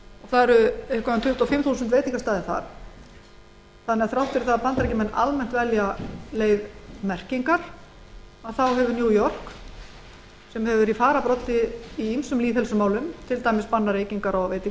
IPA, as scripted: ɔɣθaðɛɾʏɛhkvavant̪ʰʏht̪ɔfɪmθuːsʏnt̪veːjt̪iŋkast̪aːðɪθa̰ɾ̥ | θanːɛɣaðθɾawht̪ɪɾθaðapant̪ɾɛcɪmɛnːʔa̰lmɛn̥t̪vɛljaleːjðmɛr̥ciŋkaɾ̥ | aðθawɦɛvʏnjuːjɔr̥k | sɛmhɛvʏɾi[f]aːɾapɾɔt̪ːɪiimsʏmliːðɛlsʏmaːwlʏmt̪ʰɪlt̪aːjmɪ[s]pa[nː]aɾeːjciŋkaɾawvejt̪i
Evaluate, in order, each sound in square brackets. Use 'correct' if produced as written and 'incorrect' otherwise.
correct, correct, correct

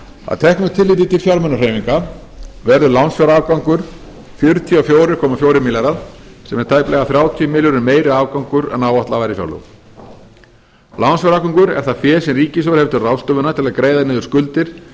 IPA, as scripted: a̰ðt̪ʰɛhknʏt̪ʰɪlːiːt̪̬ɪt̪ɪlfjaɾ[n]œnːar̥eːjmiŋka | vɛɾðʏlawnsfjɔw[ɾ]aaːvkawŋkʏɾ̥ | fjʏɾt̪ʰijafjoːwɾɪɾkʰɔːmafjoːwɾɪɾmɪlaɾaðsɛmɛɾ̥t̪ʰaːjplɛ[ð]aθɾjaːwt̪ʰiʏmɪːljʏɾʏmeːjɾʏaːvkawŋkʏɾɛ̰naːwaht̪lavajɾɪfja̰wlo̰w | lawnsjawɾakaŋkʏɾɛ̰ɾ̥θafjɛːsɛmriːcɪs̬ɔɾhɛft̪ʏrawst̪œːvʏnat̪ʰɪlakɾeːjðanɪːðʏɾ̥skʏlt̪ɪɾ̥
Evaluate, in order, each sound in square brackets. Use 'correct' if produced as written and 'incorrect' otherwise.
incorrect, correct, incorrect

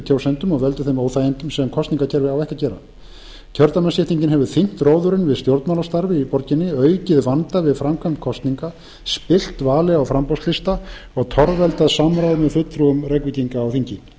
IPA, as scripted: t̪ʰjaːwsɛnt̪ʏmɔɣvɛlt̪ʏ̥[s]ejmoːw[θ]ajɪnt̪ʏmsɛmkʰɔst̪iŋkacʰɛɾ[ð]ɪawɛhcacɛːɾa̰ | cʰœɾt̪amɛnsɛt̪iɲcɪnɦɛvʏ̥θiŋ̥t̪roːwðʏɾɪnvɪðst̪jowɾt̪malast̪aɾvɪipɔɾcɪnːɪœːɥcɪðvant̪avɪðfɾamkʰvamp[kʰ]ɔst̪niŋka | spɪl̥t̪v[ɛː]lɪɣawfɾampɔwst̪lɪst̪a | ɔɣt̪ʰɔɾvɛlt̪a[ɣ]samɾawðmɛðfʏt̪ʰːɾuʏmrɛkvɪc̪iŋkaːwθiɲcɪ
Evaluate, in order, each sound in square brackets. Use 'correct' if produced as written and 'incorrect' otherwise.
incorrect, correct, incorrect, correct, incorrect, incorrect

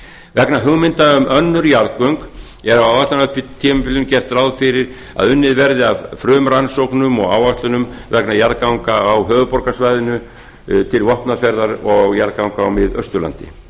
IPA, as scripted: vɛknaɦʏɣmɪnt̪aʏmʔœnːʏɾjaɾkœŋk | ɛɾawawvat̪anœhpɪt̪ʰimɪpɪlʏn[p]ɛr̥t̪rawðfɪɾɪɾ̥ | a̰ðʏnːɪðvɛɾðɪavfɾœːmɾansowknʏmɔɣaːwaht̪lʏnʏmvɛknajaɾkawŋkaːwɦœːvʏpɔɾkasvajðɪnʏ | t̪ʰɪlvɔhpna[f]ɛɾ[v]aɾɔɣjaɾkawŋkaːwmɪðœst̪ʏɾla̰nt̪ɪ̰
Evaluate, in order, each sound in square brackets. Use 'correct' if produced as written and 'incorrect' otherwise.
incorrect, correct, incorrect

